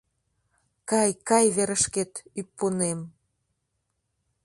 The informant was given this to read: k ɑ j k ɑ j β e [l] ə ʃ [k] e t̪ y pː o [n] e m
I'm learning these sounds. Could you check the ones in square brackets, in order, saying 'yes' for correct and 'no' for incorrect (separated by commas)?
no, yes, yes